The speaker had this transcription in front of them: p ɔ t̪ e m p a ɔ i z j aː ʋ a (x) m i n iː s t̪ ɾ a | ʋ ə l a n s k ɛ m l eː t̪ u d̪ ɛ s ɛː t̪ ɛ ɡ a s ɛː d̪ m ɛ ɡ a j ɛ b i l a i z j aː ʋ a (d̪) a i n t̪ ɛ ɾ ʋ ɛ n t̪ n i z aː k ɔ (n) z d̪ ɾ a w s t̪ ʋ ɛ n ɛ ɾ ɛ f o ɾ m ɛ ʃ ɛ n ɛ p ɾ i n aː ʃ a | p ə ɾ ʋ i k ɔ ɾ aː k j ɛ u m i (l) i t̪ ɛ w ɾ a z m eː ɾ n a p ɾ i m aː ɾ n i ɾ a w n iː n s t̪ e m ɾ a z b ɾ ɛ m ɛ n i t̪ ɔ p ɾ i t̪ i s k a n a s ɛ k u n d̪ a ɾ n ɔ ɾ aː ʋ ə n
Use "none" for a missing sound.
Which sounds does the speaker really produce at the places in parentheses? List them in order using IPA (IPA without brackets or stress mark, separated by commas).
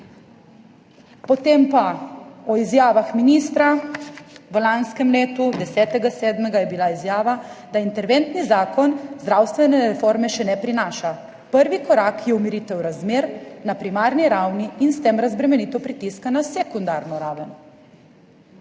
x, d̪, n, ɾ